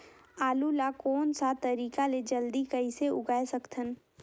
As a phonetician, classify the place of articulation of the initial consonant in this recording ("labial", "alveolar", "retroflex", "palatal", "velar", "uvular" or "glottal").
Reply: alveolar